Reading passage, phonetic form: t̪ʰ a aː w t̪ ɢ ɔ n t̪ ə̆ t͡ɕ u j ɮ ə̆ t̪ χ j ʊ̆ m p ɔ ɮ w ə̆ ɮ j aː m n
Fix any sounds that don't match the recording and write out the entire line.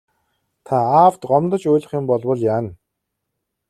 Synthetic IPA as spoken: t̪ʰ a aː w t̪ ɢ ɔ m t̪ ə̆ t͡ɕ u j ɮ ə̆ χ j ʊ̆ m p ɔ ɮ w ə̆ ɮ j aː n